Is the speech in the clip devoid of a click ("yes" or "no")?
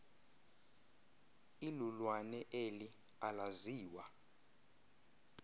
yes